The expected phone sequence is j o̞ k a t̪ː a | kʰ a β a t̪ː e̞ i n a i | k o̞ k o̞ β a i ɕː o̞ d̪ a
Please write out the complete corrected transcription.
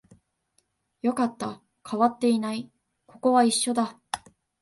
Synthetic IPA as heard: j o̞ k a t̪ː a | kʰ a β a t̪ː e̞ i n a i | k o̞ k o̞ β a i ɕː o̞ d̪ a